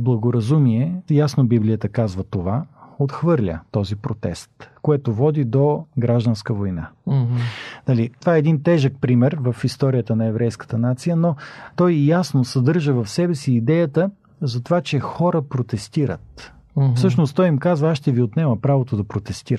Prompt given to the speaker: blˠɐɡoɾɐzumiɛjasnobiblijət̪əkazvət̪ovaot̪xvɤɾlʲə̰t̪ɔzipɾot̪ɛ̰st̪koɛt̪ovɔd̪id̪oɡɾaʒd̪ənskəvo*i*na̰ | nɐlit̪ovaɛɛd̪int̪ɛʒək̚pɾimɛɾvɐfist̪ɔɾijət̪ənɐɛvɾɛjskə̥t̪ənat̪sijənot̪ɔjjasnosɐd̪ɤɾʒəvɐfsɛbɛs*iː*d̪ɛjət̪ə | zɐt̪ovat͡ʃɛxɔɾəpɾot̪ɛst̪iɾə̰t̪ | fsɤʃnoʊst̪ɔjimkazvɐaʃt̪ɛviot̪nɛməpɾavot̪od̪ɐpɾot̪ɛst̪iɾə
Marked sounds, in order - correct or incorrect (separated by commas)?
incorrect, correct